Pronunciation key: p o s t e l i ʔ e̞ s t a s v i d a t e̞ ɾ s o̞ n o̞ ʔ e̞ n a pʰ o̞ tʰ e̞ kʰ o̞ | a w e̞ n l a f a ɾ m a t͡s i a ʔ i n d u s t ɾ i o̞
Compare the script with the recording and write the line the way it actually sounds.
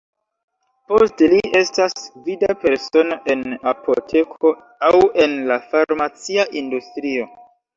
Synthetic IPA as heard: p o s t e l i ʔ e̞ s t a s v i d a p e̞ ɾ s o̞ n o̞ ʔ e̞ n a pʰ o̞ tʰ e̞ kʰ o̞ | a w e̞ n l a f a ɾ m a t͡s i a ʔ i n d u s t ɾ i o̞